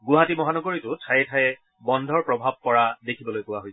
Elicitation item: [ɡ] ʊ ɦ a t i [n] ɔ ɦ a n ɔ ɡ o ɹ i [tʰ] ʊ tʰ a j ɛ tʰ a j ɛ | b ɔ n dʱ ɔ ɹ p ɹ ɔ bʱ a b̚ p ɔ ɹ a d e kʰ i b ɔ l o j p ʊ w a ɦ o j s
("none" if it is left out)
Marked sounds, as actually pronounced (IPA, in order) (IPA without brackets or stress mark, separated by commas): ɡ, m, t